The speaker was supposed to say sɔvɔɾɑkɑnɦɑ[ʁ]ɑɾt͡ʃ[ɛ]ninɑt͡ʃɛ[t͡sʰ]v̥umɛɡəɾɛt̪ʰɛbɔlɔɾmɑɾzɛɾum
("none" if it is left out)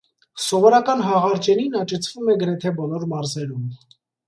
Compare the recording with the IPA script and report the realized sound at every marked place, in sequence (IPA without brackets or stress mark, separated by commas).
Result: ʁ, ɛ, t͡sʰ